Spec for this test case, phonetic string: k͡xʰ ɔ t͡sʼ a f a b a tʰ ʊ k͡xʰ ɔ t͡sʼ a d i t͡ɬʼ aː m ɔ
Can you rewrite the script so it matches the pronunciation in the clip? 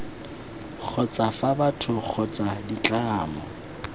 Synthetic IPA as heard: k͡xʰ ɔ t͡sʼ a f a b a tʰ ʊ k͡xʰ ɔ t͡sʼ a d i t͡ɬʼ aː m ɔ